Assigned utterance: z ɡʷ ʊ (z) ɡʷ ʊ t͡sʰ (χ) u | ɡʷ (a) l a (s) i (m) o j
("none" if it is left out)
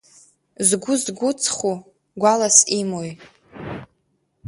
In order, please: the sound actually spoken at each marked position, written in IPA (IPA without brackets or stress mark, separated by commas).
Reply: z, χ, a, s, m